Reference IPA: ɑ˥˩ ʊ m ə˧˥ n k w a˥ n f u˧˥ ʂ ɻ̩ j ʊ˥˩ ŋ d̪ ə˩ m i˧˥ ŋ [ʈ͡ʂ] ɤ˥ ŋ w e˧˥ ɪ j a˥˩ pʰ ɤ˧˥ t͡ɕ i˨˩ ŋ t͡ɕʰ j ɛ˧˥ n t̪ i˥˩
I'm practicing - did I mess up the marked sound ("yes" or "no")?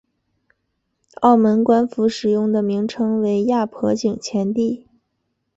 yes